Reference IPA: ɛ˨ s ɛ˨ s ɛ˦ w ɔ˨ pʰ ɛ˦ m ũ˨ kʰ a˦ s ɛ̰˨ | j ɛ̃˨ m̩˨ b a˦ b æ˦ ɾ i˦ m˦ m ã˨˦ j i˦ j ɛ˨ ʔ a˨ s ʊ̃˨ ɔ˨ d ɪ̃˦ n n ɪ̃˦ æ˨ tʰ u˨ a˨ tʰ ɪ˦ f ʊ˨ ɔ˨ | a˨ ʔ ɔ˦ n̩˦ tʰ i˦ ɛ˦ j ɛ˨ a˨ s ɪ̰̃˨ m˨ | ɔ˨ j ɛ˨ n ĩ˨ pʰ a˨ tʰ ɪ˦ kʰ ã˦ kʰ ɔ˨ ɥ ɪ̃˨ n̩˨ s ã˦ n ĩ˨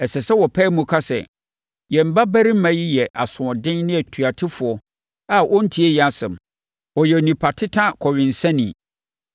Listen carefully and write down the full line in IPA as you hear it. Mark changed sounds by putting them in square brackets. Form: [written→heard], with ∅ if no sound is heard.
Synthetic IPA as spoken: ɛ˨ s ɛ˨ s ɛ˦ w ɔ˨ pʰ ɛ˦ m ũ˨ kʰ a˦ s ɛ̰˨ | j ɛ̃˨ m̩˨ b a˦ b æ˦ ɾ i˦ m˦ m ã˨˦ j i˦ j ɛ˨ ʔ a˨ s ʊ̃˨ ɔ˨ d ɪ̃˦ n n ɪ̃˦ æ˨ tʰ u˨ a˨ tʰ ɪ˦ f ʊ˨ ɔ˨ | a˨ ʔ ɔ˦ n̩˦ tʰ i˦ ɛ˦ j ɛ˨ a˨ s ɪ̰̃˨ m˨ | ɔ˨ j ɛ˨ n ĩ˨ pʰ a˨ tʰ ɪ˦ [kʰ→tʰ] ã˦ kʰ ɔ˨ ɥ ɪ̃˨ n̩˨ s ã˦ n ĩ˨

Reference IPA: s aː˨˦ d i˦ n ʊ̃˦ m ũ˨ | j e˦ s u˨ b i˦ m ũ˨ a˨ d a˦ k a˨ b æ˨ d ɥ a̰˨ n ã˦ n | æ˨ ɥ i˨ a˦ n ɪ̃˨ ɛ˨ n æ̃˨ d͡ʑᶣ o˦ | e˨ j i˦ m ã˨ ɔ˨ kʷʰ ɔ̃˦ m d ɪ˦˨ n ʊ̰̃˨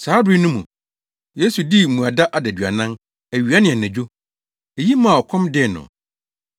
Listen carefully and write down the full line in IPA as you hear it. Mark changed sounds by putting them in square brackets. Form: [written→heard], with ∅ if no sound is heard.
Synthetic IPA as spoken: s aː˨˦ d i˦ n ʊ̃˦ m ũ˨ | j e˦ s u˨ [b→d] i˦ m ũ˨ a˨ d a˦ [k→ʔ] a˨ [b→d] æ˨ d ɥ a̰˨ n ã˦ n | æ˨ ɥ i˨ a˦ n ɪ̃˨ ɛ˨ n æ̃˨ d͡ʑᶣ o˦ | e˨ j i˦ m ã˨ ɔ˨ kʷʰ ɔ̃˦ m d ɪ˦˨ n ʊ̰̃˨

